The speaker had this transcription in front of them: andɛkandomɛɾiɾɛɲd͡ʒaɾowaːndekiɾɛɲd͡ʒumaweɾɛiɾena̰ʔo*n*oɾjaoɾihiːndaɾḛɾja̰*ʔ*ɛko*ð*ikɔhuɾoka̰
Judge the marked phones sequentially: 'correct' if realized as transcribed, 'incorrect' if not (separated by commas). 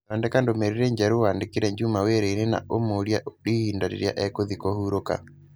incorrect, correct, correct